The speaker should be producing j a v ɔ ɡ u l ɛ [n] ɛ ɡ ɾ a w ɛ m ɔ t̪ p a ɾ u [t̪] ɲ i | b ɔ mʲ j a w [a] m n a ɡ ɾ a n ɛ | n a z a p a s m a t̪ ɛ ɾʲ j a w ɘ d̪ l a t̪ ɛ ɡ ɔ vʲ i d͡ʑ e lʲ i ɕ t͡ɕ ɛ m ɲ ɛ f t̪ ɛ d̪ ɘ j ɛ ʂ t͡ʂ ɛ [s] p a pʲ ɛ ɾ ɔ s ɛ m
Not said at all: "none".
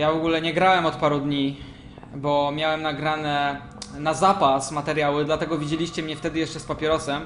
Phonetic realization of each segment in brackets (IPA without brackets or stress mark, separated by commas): ɲ, d̪, ɛ, s